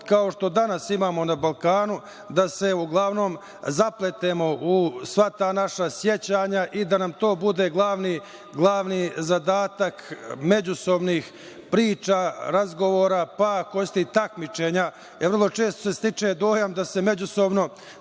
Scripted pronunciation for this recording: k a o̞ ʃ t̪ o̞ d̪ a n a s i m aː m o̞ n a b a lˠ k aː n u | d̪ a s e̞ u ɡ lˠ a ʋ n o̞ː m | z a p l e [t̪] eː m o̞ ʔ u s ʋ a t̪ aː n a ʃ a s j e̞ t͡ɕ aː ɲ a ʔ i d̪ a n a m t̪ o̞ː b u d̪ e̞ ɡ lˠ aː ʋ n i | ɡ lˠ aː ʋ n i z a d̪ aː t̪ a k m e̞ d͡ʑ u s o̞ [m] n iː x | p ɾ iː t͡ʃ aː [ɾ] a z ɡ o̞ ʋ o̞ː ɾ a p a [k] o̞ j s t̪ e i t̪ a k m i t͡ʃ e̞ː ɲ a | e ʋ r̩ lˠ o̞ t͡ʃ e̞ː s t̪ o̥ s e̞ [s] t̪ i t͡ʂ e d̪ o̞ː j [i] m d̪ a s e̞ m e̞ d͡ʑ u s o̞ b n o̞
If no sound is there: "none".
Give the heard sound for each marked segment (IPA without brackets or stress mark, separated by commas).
t̪, b, ɾ, k, s, a